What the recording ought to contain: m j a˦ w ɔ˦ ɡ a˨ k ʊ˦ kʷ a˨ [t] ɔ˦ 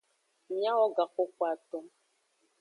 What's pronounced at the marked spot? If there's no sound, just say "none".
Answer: t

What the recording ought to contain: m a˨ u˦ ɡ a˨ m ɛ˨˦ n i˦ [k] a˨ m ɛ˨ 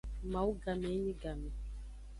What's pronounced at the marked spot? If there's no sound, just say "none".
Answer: ɡ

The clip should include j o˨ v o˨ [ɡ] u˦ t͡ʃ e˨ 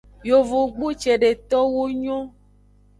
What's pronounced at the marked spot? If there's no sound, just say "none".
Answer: ɡ͡b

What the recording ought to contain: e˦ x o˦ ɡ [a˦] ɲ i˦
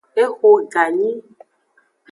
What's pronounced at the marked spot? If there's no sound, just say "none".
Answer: a˨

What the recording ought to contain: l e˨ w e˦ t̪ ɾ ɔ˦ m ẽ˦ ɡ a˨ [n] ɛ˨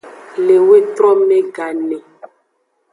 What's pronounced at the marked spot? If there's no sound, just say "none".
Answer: n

